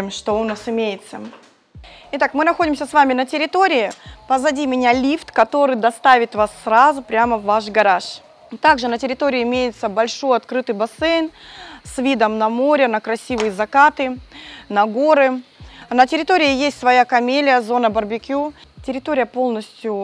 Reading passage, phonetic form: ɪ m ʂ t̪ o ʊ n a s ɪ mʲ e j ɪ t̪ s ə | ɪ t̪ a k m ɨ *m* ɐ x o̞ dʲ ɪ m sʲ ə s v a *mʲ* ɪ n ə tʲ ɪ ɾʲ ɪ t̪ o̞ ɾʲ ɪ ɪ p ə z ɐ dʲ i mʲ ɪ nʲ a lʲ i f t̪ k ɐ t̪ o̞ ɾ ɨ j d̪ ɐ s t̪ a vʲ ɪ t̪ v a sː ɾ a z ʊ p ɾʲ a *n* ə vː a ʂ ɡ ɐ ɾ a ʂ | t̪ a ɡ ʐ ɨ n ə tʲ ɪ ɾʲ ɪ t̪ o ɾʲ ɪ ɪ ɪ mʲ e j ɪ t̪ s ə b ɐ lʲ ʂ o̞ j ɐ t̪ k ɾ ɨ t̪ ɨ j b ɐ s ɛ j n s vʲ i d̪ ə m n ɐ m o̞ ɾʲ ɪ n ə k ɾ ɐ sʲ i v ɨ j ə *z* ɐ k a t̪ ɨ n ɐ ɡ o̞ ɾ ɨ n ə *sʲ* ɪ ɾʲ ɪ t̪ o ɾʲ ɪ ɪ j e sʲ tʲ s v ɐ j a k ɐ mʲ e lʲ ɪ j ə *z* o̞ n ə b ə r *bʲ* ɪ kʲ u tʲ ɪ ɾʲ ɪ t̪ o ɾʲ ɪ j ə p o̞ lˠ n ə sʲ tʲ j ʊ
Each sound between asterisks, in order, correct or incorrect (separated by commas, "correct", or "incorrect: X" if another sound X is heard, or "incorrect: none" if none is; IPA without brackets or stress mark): incorrect: n, correct, incorrect: m, correct, incorrect: tʲ, correct, correct